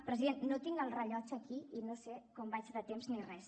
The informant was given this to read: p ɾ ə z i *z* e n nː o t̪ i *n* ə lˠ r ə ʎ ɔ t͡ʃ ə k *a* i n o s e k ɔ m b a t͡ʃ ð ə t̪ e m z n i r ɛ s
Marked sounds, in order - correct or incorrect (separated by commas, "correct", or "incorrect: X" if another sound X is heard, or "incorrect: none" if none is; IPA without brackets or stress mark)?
incorrect: ð, incorrect: ŋ, incorrect: i